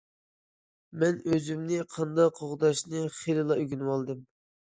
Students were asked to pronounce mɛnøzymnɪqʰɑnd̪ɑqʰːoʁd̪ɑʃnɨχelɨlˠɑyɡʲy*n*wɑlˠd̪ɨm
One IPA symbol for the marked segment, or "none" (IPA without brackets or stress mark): n